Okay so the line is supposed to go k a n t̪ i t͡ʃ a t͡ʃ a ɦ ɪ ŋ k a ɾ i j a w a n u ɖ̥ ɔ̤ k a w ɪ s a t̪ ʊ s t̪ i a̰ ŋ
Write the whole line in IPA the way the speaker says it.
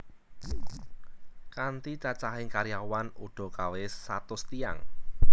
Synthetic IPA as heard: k a n t̪ i t͡ʃ a t͡ʃ a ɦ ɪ ŋ k a ɾ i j a w a n u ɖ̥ ɔ̤ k a w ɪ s a t̪ ʊ s t̪ i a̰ ŋ